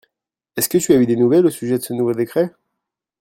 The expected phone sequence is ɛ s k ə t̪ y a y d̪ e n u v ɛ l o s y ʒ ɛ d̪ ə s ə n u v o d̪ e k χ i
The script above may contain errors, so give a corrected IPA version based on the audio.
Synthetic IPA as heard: ɛ s k ə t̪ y a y d̪ e n u v ɛ l o s y ʒ ɛ d̪ ə s ə n u v o d̪ e k χ ɛ